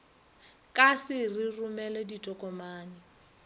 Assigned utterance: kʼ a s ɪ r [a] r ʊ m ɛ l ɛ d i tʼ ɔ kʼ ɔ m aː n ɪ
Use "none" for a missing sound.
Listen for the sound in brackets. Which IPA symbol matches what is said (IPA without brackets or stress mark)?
i